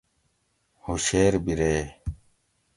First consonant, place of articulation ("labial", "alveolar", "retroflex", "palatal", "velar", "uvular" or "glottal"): glottal